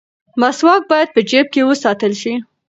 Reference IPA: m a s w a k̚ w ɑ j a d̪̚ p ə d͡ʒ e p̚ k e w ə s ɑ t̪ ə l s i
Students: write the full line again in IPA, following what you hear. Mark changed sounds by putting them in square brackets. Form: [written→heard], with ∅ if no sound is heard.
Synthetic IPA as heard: m a s w [a→ɑ] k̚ [w→b] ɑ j a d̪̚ p ə d͡ʒ e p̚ k e w ə s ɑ t̪ ə l [s→ʃ] i